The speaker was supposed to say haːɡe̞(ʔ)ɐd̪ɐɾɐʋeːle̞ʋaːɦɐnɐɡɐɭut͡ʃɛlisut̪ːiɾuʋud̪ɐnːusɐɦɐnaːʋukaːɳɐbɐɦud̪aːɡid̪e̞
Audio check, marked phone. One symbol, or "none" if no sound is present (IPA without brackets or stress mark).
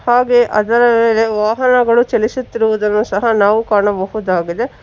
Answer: ʔ